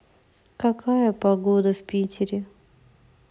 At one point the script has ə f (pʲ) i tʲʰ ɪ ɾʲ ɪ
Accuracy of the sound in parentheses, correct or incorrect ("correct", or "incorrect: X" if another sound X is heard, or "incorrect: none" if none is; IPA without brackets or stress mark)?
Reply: correct